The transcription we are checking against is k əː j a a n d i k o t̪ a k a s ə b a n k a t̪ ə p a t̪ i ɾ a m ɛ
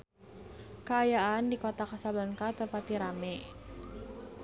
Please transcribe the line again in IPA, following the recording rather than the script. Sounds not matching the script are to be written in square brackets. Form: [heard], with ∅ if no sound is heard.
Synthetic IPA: k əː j a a n d i k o t̪ a k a s [a] b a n k a t̪ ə p a t̪ i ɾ a m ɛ